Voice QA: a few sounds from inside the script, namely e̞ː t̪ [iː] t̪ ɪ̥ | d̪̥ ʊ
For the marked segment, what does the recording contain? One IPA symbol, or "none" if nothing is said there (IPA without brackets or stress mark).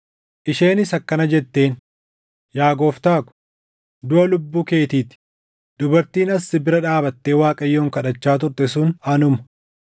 iː